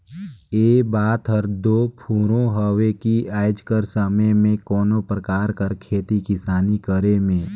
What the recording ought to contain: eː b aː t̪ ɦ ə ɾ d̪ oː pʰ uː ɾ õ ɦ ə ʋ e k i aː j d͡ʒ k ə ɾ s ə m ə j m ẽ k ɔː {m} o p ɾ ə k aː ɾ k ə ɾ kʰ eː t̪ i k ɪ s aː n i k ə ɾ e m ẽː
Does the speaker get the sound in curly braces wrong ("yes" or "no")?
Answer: yes